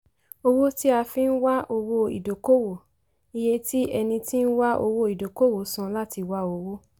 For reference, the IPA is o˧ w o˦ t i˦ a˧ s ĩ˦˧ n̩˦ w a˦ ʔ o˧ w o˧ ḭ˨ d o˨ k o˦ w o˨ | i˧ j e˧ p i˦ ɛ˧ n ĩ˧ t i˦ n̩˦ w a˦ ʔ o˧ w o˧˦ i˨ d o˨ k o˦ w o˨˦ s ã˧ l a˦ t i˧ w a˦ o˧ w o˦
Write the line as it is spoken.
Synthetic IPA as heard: o˧ w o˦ t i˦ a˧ f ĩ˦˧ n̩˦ w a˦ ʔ o˧ w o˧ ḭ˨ d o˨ k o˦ w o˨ | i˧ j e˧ t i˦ ɛ˧ n ĩ˧ t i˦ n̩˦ w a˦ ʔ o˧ w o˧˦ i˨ d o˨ k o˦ w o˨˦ s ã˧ l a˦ t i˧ w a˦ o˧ w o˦